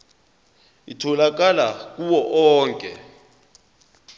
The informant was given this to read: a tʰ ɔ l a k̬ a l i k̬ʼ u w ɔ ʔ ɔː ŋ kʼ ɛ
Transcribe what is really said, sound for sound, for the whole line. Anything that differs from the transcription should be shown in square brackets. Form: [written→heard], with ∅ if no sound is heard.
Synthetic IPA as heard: [a→i] tʰ ɔ l a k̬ a l [i→a] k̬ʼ u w ɔ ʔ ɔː ŋ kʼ ɛ